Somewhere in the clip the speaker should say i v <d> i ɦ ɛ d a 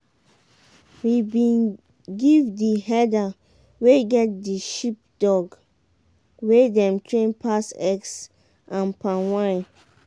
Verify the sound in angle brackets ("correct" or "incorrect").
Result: correct